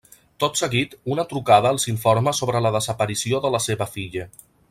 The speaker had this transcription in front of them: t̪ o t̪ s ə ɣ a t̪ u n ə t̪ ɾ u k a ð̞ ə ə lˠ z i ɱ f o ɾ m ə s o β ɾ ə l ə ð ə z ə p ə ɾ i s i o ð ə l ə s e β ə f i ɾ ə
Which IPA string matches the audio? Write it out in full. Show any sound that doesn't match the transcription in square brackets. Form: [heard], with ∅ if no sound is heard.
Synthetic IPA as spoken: t̪ o t̪ s ə ɣ [i] t̪ u n ə t̪ ɾ u k a ð̞ ə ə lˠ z i ɱ f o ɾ m ə s o β ɾ ə l ə ð ə z ə p ə ɾ i s i o ð ə l ə s e β ə f i [ʎ] ə